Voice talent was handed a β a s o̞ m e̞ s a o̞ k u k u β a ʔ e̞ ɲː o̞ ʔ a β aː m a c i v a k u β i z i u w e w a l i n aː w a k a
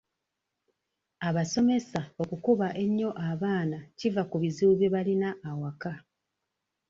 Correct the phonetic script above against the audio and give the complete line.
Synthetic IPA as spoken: a β a s o̞ m e̞ s a o̞ k u k u β a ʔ e̞ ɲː o̞ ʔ a β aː n a c i v a k u β i z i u β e β a l i n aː w a k a

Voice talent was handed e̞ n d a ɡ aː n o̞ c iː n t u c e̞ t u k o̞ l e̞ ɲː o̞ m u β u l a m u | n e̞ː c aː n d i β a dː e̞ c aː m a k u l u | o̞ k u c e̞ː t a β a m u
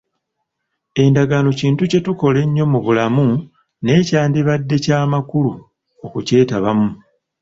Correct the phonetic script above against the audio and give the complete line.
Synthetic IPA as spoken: e̞ n d a ɡ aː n o̞ c iː n t u c e̞ t u k o̞ l e̞ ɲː o̞ m u β u l a m u | n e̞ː c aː n d i β a dː e̞ c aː m a k u l u | o̞ k u c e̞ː t a β a m u

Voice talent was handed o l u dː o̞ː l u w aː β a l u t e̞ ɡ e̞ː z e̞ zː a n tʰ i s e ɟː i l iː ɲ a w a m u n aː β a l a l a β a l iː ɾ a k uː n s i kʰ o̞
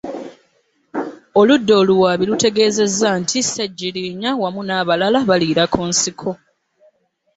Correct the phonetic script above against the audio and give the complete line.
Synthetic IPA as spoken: o l u dː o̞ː l u w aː β i l u t e̞ ɡ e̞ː z e̞ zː a n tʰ i s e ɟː i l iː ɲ a w a m u n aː β a l a l a β a l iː ɾ a k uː n s i kʰ o̞

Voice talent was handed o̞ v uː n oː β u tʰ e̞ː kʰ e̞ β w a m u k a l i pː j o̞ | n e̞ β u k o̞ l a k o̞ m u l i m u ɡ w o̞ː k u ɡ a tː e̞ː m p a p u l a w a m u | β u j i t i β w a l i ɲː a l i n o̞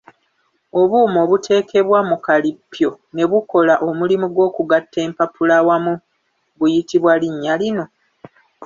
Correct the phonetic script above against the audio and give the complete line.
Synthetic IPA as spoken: o̞ β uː m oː β u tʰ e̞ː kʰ e̞ β w a m u k a l i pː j o̞ | n e̞ β u k o̞ l a ʔ o̞ m u l i m u ɡ w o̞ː k u ɡ a tː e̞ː m p a p u l a w a m u | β u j i t i β w a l i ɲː a l i n o̞

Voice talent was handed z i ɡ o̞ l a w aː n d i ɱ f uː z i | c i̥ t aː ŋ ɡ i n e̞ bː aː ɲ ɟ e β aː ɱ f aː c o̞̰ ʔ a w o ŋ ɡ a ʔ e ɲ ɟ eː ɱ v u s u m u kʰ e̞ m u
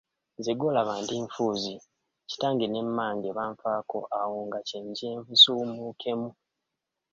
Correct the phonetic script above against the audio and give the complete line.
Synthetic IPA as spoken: z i ɡ o̞ l a β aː n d i ɱ f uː z i | c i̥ t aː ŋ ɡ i n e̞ mː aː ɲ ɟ e β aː ɱ f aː k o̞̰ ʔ a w o ŋ ɡ a c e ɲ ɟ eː ɱ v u s u m u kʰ e̞ m u

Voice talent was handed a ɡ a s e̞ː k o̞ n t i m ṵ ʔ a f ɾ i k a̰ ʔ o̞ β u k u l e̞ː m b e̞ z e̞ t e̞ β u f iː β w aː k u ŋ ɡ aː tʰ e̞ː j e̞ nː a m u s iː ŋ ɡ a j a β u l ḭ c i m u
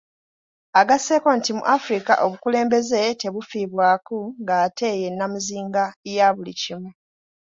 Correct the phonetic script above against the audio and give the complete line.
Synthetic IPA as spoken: a ɡ a s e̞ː k o̞ n t i m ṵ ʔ a f ɾ i k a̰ ʔ o̞ β u k u l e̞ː m b e̞ z e̞ t e̞ β u f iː β w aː k u ŋ ɡ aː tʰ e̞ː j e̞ nː a m u z iː ŋ ɡ a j a β u l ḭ c i m u

